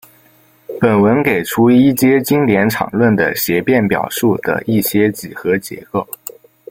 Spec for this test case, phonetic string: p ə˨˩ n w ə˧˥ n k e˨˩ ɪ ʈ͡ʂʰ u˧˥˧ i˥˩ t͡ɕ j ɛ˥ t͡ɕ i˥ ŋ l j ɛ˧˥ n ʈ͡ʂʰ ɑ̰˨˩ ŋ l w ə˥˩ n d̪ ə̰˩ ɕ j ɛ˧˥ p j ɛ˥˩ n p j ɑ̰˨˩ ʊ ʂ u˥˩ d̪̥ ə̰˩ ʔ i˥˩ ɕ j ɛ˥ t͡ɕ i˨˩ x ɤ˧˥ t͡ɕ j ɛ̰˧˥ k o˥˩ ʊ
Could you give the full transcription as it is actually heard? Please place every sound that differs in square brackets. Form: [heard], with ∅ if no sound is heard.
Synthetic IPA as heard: p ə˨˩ n w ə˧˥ n k e˨˩ ɪ ʈ͡ʂʰ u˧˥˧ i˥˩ t͡ɕ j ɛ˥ t͡ɕ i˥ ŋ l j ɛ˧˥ n ʈ͡ʂʰ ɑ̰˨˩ ŋ l w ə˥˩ n d̪ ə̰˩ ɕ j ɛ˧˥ p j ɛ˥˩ n p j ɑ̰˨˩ ʊ ʂ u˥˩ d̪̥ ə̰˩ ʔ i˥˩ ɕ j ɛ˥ t͡ɕ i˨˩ x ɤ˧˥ t͡ɕ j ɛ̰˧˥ k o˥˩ ʊ